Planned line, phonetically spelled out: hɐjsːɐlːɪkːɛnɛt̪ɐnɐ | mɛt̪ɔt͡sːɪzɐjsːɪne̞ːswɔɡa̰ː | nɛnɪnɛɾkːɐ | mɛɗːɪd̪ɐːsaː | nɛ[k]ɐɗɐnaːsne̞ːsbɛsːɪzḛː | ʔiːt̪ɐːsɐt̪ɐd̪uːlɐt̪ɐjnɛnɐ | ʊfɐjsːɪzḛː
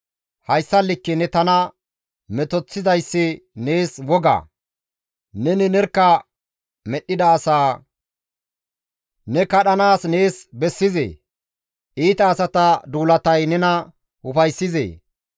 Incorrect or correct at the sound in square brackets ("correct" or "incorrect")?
correct